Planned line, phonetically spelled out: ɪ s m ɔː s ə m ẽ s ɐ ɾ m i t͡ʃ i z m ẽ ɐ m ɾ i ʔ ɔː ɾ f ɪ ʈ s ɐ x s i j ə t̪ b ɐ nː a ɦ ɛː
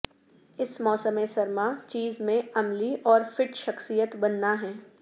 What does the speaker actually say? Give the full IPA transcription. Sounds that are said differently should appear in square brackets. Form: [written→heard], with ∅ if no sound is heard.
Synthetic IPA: ɪ s m ɔː s ə m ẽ s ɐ ɾ m [i→a] t͡ʃ [i→iː] z m ẽ ɐ m [ɾ→l] i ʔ ɔː ɾ f ɪ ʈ [s→ʃ] ɐ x s i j ə t̪ b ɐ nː a ɦ ɛː

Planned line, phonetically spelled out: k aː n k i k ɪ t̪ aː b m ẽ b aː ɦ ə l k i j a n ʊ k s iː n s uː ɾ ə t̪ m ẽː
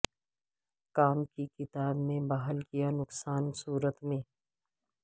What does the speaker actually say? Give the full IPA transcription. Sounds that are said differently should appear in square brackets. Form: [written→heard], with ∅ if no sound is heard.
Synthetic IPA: k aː [n→m] k i k ɪ t̪ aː b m ẽ b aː ɦ ə l k i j a n ʊ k s [iː→aː] n s uː ɾ ə t̪ m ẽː

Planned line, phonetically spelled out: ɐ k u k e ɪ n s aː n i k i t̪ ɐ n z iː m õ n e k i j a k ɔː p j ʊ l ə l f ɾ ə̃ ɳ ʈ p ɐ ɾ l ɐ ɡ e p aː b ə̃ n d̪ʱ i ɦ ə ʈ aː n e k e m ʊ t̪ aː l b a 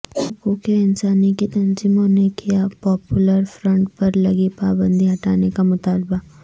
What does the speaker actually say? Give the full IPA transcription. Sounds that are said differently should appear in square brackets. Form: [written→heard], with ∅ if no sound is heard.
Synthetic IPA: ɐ k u k e ɪ n s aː n i k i t̪ ɐ n z iː m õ n e k i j a [k→p] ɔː p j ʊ l ə [l→ɾ] f ɾ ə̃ ɳ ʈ p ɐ ɾ l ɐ ɡ [e→i] p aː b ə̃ n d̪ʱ i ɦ [ə→ɐ] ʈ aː n e k [e→a] m ʊ t̪ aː l b a

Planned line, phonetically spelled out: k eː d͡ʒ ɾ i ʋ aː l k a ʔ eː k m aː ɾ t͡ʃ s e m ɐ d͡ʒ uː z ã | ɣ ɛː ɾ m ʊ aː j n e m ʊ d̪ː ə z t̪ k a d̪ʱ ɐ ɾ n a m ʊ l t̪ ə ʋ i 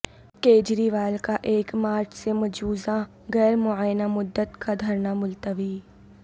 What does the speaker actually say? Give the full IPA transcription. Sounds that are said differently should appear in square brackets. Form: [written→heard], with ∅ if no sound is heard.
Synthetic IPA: k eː d͡ʒ ɾ i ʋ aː l k a ʔ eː k m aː ɾ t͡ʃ s e m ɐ d͡ʒ uː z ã | ɣ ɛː ɾ m ʊ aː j n [e→a] m ʊ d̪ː ə [z→∅] t̪ k a d̪ʱ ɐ ɾ n a m ʊ l t̪ ə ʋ i

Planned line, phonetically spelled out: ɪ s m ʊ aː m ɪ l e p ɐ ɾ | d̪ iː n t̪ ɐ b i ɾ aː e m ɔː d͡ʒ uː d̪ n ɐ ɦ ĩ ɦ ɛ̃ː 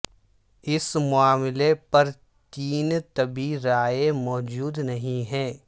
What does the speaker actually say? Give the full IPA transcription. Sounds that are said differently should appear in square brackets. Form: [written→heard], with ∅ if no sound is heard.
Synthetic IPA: ɪ s m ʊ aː m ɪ l e p ɐ ɾ | [d̪→t̪] iː n t̪ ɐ b i ɾ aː e m ɔː d͡ʒ uː d̪ n ɐ ɦ ĩ ɦ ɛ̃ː

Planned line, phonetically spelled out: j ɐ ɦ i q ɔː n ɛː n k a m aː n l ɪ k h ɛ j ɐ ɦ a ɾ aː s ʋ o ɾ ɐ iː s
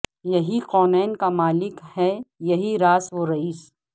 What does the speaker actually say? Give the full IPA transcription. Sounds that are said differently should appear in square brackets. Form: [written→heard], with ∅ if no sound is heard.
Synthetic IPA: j ɐ ɦ i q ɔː n ɛː n k a m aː [n→∅] l ɪ k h ɛ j ɐ ɦ [a→i] ɾ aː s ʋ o ɾ ɐ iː s

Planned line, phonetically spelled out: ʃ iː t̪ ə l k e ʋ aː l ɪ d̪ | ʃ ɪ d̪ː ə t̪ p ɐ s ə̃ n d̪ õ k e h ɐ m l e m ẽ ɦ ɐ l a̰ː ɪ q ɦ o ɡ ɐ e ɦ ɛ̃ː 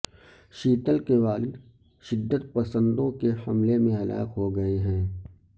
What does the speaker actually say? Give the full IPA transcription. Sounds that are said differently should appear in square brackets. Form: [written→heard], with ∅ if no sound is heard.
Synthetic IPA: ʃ iː t̪ ə l k e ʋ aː l ɪ d̪ | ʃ ɪ d̪ː ə t̪ p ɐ s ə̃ n d̪ õ k e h ɐ m l e m ẽ ɦ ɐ l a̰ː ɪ q ɦ o ɡ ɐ e ɦ ɛ̃ː

